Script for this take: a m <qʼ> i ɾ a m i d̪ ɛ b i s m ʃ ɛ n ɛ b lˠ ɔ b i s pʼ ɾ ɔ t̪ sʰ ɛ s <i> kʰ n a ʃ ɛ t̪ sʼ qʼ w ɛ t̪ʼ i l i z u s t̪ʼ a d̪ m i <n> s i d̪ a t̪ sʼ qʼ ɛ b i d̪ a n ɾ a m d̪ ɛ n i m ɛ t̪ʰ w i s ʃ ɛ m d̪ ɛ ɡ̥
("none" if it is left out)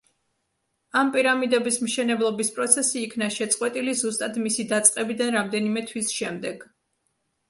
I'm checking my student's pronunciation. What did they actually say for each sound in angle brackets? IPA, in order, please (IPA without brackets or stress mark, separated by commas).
pʼ, iː, none